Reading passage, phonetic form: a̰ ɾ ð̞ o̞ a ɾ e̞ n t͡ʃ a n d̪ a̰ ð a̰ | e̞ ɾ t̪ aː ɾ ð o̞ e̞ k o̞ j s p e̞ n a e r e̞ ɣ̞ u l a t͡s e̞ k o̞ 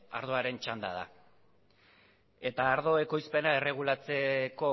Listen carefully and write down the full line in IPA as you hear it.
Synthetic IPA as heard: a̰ ɾ ð̞ o̞ a ɾ e̞ n t͡ʃ a n d̪ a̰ ð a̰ | e̞ t̪ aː ɾ ð o̞ e̞ k o̞ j s p e̞ n a e r e̞ ɣ̞ u l a t͡s e̞ k o̞